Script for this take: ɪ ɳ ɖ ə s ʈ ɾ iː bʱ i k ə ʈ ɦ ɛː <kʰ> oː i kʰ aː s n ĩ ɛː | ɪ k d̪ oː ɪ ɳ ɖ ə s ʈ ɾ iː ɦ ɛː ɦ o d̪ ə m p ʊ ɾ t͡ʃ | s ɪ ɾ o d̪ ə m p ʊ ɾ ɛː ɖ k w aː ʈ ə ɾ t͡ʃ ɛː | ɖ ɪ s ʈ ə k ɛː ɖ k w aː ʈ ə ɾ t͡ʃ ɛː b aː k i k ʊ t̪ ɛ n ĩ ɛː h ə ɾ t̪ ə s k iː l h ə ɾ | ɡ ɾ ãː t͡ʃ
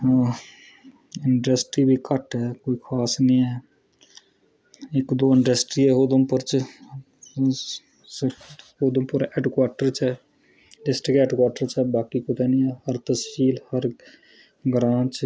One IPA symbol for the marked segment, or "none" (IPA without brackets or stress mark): k